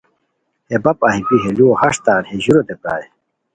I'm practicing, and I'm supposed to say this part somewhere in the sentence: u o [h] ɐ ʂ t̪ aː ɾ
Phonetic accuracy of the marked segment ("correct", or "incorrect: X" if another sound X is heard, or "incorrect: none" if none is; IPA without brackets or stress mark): correct